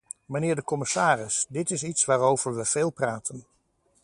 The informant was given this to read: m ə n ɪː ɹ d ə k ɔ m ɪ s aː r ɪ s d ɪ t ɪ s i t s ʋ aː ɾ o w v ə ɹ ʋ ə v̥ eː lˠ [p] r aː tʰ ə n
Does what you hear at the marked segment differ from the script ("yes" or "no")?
no